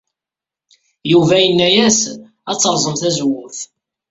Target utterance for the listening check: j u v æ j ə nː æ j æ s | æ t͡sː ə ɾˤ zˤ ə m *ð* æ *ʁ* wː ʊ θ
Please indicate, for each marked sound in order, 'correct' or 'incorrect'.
incorrect, incorrect

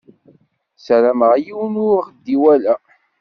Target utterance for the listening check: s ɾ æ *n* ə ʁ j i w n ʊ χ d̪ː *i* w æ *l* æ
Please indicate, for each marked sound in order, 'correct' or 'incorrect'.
incorrect, correct, correct

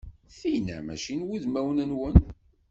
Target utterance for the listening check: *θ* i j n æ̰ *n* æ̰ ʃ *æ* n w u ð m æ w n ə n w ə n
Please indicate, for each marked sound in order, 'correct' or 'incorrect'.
correct, incorrect, incorrect

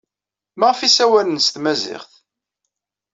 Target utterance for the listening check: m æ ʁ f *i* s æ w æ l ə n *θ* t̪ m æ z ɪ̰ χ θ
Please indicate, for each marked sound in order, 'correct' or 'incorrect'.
correct, incorrect

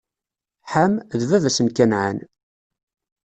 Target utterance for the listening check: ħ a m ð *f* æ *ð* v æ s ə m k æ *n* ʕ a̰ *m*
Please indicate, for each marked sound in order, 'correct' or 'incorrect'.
incorrect, incorrect, correct, incorrect

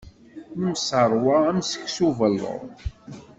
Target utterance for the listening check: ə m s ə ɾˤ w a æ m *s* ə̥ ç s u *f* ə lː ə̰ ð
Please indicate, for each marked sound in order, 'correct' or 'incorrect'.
correct, incorrect

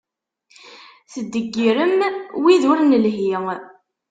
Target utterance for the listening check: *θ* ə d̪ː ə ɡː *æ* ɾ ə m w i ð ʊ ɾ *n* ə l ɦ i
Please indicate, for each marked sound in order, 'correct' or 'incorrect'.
correct, incorrect, correct

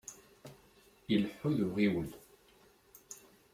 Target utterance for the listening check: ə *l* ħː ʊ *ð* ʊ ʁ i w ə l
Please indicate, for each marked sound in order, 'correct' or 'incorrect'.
correct, correct

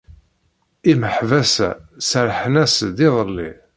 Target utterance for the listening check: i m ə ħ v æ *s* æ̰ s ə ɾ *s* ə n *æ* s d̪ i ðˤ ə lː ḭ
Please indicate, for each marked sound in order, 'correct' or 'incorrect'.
correct, incorrect, correct

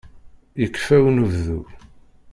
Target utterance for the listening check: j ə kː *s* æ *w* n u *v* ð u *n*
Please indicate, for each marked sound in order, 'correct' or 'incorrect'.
incorrect, correct, correct, incorrect

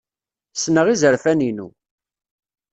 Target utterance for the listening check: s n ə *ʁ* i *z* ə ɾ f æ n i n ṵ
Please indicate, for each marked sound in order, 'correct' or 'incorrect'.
correct, correct

